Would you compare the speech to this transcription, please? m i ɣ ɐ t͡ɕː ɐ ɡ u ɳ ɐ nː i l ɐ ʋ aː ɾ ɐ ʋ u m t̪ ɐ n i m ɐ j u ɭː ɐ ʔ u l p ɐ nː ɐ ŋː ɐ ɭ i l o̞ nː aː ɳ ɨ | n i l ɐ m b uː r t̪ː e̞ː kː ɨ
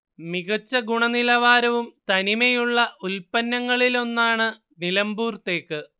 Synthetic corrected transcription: m i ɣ ɐ t͡ɕː ɐ ɡ u ɳ ɐ n i l ɐ ʋ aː ɾ ɐ ʋ u m t̪ ɐ n i m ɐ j u ɭː ɐ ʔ u l p ɐ nː ɐ ŋː ɐ ɭ i l o̞ nː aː ɳ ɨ | n i l ɐ m b uː r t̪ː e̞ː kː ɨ